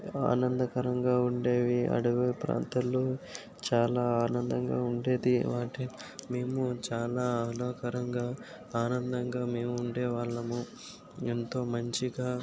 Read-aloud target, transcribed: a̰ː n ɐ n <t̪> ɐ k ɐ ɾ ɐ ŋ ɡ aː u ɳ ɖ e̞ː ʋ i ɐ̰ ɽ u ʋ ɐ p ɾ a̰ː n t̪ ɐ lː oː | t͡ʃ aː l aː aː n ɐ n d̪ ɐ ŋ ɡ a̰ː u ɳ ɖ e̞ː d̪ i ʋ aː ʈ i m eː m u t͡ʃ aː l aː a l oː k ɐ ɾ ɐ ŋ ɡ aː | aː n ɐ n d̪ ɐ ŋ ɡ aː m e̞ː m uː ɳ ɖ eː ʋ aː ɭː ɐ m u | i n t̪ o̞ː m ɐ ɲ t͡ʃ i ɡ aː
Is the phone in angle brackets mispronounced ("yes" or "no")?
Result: yes